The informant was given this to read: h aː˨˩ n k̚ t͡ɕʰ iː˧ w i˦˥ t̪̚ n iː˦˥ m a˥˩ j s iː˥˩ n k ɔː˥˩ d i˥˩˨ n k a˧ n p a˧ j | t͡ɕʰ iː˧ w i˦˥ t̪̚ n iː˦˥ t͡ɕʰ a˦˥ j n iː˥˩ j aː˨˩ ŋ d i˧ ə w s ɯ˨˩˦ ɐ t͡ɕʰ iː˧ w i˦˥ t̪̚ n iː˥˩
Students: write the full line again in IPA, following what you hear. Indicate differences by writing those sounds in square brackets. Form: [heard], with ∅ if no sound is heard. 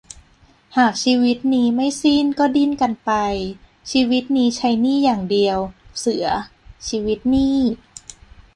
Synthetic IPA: h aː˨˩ [∅] k̚ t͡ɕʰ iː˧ w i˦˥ t̪̚ n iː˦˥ m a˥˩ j s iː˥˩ n k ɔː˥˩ d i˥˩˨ n k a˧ n p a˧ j | t͡ɕʰ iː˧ w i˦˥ t̪̚ n iː˦˥ t͡ɕʰ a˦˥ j n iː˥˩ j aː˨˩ ŋ d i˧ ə w s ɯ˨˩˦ ɐ t͡ɕʰ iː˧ w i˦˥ t̪̚ n iː˥˩